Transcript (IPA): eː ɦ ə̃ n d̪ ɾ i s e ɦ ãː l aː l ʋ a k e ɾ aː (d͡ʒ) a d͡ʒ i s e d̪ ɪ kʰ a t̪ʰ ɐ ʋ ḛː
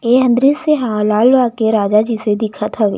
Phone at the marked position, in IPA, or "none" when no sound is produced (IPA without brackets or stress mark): d͡ʒ